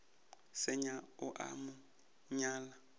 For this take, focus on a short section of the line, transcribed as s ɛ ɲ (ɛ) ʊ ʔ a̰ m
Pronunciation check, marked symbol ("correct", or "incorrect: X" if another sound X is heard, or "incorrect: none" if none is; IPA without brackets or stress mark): incorrect: a